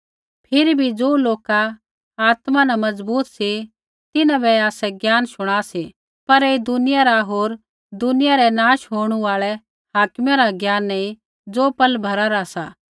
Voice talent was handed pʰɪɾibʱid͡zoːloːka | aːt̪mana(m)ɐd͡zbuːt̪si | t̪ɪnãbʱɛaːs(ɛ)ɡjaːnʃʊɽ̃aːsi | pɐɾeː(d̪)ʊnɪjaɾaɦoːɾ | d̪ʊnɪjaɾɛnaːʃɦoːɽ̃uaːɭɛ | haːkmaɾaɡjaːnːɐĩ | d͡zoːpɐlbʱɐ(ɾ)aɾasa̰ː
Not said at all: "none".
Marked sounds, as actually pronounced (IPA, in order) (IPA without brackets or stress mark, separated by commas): m, ɛ, d̪, ɾ